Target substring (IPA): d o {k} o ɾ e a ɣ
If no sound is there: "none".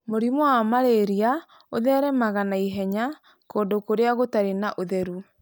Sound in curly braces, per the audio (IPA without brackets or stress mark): k